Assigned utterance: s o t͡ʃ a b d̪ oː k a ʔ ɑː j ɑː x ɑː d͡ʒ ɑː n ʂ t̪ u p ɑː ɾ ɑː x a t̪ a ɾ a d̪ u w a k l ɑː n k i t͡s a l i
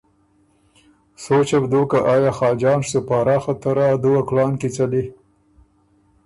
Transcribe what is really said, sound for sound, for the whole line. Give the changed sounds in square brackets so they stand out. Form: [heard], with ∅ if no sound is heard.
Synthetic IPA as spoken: s o t͡ʃ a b d̪ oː k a ʔ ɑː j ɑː x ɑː d͡ʒ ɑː n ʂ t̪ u p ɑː ɾ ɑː x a t̪ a ɾ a d̪ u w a k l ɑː n k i t͡s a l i